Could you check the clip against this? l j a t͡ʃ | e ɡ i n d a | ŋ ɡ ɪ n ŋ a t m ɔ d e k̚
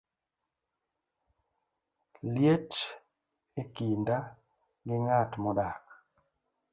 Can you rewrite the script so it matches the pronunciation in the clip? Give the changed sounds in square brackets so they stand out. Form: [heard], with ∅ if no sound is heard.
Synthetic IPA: l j [e] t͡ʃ | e [k] i n d a | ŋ ɡ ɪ [∅] ŋ a t m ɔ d [a] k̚